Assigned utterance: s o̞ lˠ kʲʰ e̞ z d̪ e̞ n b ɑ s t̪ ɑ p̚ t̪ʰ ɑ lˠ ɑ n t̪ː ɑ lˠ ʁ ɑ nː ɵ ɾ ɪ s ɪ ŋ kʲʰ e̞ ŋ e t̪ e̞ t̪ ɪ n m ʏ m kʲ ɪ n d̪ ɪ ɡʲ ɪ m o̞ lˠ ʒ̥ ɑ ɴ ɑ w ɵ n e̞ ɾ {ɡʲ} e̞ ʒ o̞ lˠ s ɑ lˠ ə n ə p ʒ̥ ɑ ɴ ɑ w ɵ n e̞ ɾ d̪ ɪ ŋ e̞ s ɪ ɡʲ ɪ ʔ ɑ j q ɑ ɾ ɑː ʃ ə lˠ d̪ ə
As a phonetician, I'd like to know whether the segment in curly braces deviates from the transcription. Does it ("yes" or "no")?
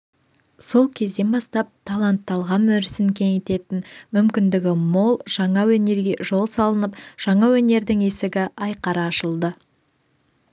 no